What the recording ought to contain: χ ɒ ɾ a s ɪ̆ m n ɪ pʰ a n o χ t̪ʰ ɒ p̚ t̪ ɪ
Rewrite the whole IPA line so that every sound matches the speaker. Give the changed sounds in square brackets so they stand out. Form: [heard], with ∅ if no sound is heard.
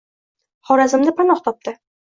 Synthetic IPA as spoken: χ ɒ ɾ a [z] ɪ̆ m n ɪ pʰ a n [ɒ] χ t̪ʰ ɒ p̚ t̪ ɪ